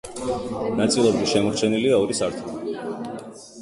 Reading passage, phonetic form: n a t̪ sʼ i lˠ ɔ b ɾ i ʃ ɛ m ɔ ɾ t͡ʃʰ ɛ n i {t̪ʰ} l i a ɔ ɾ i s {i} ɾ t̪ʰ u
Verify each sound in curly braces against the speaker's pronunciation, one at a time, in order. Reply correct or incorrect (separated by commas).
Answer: incorrect, incorrect